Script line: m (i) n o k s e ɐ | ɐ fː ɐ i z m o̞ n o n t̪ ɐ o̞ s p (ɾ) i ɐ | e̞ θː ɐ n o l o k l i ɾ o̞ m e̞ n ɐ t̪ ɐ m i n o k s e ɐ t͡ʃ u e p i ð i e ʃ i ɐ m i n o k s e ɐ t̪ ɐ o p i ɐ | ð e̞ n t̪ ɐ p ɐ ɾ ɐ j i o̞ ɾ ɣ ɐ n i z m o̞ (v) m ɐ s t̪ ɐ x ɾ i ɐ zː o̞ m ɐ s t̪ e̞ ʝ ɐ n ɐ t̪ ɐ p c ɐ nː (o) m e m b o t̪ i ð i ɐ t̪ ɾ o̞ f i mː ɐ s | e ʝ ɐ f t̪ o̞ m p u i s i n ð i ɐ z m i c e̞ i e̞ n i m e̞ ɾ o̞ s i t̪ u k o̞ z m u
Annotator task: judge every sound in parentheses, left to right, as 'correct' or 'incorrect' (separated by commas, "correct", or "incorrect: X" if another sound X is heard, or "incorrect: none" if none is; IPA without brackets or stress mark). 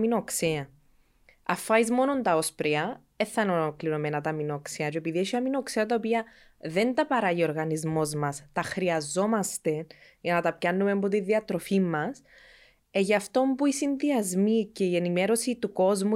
correct, correct, incorrect: z, incorrect: u